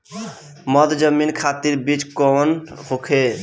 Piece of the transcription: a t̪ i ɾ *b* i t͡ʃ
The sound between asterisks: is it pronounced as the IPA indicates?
yes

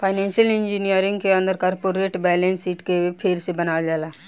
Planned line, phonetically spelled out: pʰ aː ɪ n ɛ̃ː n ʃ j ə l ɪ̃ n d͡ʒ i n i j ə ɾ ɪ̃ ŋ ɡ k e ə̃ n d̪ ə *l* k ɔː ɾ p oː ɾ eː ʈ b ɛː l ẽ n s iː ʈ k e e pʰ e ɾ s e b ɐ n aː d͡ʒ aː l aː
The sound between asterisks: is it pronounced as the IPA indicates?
no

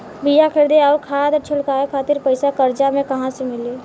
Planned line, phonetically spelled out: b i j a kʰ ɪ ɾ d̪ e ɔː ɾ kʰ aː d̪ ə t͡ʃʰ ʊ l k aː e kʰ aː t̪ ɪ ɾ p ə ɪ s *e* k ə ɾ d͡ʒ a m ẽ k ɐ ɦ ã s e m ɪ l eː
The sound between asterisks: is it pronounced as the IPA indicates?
no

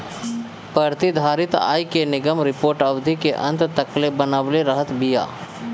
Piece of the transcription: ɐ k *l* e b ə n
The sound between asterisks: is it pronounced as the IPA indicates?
yes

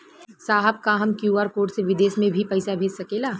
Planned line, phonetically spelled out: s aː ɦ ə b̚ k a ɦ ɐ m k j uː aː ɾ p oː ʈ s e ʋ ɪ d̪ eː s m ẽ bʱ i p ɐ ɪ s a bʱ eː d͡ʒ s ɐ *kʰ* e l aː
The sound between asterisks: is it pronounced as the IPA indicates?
no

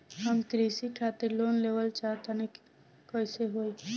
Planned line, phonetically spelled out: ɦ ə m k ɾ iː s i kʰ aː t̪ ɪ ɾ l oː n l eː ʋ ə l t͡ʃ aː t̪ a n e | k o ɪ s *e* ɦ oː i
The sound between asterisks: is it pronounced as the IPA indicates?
yes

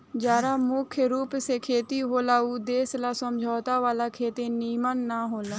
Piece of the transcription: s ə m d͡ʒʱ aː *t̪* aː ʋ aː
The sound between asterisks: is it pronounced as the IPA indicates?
yes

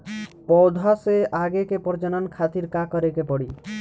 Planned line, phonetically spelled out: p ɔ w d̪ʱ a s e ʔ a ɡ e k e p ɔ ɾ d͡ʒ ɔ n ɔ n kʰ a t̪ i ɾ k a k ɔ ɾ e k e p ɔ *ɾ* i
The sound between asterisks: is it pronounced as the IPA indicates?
no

